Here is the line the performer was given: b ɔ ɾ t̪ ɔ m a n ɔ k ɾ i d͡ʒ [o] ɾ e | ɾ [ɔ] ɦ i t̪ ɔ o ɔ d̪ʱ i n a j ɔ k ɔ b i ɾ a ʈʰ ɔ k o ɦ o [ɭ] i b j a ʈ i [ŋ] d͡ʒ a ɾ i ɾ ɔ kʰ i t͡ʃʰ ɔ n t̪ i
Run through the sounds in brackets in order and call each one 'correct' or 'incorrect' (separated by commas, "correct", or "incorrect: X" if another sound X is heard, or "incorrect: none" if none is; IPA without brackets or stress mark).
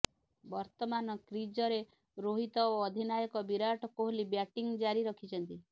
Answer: incorrect: ɔ, incorrect: o, incorrect: l, correct